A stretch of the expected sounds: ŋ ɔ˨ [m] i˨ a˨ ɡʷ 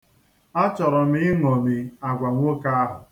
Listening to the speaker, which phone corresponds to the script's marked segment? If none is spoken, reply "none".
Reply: m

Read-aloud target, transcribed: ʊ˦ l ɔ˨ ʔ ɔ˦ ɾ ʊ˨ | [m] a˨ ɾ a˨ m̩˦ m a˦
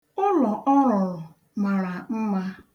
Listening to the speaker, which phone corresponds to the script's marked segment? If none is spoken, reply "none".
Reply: m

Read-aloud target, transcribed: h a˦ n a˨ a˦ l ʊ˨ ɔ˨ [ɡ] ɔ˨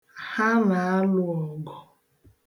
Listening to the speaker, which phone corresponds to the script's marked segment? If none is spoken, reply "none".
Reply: ɡ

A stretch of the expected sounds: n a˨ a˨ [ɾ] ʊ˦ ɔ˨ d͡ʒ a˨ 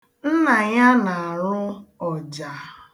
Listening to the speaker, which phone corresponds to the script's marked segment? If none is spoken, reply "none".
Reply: ɾ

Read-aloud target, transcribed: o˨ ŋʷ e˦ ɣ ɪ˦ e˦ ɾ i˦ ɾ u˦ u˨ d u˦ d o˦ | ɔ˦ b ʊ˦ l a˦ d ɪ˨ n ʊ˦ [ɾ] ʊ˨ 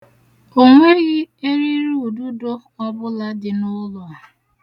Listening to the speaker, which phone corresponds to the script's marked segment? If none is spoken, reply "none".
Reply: l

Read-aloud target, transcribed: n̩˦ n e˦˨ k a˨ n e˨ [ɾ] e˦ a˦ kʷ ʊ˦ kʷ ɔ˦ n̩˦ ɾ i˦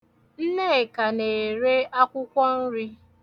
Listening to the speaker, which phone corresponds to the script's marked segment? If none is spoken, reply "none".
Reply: ɾ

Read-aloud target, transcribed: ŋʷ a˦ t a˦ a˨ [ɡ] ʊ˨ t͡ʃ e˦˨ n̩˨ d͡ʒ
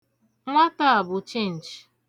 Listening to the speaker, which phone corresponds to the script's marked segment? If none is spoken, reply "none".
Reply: b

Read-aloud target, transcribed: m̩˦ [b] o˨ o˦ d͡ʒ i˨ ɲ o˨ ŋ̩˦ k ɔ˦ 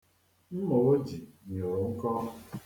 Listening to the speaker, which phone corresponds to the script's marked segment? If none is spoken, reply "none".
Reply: m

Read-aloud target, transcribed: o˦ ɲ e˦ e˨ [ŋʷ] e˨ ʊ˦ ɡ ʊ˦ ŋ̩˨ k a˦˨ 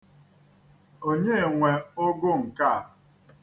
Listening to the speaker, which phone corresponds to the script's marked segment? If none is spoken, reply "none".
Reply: ŋʷ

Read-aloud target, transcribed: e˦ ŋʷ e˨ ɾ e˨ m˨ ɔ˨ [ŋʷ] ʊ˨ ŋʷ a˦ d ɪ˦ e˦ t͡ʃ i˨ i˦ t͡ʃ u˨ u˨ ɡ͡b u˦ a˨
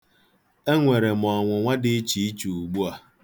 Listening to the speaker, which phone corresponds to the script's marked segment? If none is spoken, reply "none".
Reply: ŋʷ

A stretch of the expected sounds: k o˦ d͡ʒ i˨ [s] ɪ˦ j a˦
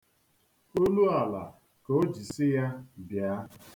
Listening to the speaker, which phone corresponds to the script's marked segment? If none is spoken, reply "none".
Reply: s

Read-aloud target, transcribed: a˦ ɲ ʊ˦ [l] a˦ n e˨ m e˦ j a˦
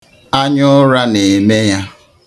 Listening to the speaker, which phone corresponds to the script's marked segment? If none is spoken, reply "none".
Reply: ɾ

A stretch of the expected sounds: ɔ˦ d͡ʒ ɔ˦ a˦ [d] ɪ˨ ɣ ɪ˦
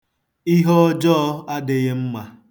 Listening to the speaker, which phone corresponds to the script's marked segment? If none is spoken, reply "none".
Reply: d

